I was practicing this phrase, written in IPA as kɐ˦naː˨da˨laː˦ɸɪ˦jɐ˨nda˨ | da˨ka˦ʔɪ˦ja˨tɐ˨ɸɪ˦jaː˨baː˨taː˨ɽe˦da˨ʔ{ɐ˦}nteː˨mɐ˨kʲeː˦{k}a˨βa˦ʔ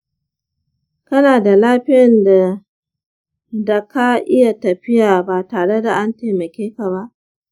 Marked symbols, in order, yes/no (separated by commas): no, yes